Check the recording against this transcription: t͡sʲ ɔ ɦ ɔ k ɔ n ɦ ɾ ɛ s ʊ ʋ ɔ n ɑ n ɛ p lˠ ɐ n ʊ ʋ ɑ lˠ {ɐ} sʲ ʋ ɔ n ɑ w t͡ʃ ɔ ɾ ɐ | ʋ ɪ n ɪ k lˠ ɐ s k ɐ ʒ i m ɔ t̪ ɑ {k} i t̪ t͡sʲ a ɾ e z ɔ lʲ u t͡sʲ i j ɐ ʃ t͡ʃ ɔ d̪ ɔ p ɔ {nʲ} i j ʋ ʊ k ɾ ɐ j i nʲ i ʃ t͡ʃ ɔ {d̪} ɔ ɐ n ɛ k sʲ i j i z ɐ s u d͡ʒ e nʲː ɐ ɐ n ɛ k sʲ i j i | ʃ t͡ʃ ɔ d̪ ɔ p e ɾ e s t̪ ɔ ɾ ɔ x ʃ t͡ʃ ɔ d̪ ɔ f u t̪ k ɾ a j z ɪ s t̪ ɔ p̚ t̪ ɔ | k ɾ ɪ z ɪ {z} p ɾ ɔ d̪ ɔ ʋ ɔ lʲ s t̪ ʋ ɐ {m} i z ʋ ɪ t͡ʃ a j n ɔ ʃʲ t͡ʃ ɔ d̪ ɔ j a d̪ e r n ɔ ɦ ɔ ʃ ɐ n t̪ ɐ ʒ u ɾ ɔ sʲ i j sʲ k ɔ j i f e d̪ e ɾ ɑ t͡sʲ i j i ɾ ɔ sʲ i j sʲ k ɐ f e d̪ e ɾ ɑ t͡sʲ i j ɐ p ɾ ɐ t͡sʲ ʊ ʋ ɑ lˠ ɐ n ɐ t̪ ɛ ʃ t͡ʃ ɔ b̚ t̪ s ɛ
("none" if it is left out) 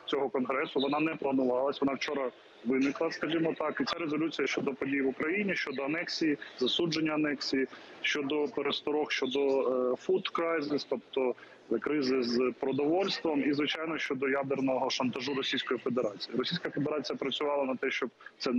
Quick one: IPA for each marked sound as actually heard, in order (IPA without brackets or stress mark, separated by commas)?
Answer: ɐ, k, dʲ, d̪, z, m